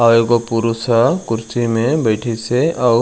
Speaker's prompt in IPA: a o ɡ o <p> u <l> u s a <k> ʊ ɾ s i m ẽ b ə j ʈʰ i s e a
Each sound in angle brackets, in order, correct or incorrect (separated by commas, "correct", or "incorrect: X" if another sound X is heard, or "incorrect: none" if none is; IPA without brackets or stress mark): correct, incorrect: ɾ, correct